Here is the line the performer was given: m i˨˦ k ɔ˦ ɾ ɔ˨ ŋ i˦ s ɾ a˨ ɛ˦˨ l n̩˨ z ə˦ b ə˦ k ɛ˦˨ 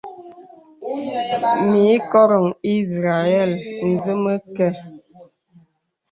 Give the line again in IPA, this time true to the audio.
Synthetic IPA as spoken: m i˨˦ k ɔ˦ ɾ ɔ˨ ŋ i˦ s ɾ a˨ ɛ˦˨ l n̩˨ z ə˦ m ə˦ k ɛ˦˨